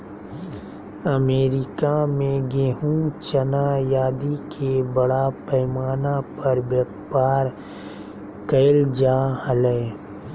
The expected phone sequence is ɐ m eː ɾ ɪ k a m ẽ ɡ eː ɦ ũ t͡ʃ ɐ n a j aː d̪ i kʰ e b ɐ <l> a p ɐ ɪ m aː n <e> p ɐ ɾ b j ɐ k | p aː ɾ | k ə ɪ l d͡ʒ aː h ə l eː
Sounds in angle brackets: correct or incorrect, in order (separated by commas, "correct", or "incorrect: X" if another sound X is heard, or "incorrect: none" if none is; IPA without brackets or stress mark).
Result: incorrect: ɽ, incorrect: a